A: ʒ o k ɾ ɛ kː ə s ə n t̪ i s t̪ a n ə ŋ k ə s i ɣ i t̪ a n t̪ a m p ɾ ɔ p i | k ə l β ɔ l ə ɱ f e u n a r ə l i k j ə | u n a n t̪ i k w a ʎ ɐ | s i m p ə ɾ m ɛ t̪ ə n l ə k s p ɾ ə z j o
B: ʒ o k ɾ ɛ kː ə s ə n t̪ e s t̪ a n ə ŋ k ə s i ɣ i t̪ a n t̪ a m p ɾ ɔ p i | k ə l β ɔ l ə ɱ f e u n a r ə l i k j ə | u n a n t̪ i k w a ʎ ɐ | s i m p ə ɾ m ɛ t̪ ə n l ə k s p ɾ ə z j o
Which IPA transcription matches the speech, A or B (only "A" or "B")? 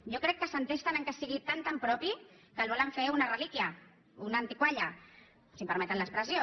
B